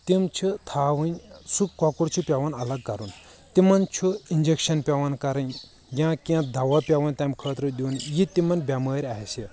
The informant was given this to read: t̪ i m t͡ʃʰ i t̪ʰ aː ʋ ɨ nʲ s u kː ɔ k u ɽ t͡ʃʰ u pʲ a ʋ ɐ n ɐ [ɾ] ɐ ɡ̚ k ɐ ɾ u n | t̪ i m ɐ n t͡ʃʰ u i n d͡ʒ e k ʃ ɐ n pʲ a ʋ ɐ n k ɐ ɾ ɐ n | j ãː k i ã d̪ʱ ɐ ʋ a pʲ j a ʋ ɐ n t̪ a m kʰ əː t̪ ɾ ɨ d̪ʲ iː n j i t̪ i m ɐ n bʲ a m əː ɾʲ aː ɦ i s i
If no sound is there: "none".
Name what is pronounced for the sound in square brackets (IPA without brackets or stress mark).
l